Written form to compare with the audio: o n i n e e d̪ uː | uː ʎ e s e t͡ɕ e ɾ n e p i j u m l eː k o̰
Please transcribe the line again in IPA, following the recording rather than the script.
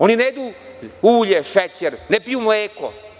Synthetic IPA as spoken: o n i n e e d̪ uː | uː ʎ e ʃ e t͡ɕ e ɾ n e p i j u m l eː k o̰

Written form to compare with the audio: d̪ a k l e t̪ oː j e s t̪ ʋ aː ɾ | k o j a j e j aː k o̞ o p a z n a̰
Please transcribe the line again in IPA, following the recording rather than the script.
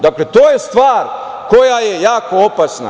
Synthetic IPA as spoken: d̪ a k l e t̪ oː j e s t̪ ʋ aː ɾ | k o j a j e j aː k o̞ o p a s n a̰

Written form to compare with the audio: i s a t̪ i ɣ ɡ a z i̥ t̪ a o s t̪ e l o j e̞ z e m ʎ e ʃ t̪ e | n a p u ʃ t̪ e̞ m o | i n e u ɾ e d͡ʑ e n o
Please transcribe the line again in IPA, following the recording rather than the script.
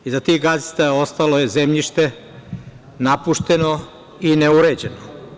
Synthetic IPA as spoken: i z a t̪ i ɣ ɡ a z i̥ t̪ a o s t̪ a l o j e̞ z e m ʎ i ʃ t̪ e | n a p u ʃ t̪ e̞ n o | i n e u ɾ e d͡ʑ e n o

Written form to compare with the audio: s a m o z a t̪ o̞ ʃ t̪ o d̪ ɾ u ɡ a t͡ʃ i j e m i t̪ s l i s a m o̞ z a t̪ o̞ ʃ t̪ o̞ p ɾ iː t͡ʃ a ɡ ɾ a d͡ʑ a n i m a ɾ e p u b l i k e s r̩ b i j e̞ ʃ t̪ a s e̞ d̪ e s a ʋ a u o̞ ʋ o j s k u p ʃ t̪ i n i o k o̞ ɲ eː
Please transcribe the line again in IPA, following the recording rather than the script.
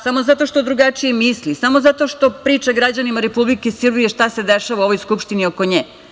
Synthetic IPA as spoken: s a m o z a t̪ o̞ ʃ t̪ o d̪ ɾ u ɡ a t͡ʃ i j e m i s l i s a m o̞ z a t̪ o̞ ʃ t̪ o̞ p ɾ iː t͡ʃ a ɡ ɾ a d͡ʑ a n i m a ɾ e p u b l i k e s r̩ b i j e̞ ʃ t̪ a s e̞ d̪ e ʃ a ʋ a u o̞ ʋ o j s k u p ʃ t̪ i n i o k o̞ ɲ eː

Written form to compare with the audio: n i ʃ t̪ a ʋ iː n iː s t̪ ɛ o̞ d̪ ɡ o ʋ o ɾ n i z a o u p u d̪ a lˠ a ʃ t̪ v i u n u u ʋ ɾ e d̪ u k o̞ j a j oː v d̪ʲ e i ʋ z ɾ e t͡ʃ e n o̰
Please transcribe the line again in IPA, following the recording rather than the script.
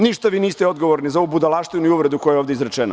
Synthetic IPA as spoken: n i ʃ t̪ a ʋ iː n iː s t̪ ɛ o̞ d̪ ɡ o ʋ o ɾ n i z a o u b u d̪ a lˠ a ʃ t̪ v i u n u u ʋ ɾ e d̪ u k o̞ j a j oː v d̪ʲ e i z ɾ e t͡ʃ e n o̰

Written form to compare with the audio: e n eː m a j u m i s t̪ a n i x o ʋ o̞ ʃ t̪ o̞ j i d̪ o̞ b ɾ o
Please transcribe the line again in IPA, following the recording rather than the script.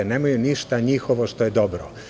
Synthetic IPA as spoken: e n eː m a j u n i ʃ t̪ a ɲ i x o ʋ o̞ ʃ t̪ o̞ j e d̪ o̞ b ɾ o

